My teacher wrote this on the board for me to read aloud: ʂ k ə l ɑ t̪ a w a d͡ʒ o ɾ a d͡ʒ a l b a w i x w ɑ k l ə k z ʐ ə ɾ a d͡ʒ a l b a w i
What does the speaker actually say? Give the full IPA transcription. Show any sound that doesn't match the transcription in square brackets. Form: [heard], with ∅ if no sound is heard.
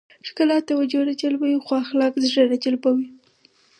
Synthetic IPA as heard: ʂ k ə l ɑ t̪ a w a d͡ʒ o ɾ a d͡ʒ a l b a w i x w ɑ [x] l [ɑ] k z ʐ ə ɾ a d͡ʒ a l b a w i